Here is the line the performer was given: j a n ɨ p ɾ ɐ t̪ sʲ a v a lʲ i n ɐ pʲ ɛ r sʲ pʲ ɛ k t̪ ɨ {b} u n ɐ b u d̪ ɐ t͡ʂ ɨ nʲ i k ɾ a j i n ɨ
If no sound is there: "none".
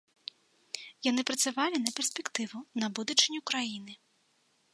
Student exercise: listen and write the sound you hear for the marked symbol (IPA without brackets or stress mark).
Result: v